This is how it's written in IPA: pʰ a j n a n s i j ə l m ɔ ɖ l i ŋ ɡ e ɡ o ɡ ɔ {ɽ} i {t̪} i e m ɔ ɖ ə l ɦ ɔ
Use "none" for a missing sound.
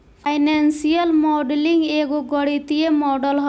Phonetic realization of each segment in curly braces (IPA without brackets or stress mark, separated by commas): ɽ, t̪